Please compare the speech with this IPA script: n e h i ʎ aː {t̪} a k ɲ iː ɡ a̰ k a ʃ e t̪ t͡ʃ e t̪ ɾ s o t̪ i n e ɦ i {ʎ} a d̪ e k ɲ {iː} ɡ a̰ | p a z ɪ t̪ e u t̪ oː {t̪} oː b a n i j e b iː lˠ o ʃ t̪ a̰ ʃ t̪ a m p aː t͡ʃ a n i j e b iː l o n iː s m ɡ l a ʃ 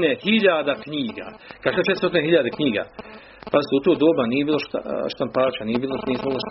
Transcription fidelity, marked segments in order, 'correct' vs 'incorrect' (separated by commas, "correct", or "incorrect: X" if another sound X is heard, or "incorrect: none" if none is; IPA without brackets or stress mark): incorrect: d̪, correct, correct, incorrect: d̪